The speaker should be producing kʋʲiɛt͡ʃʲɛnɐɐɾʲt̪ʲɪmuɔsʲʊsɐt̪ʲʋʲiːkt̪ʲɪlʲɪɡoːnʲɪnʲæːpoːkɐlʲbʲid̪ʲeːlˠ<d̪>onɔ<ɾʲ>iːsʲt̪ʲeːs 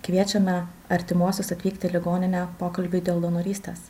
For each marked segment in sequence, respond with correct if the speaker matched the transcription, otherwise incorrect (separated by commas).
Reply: correct, correct